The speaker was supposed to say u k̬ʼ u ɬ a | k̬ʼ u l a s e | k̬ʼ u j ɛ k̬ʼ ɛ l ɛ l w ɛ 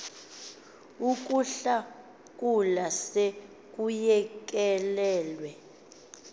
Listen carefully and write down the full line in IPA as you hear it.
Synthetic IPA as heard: u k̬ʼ u ɬ a | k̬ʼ u l a s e | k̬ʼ u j ɛ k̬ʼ ɛ l ɛː l w ɛ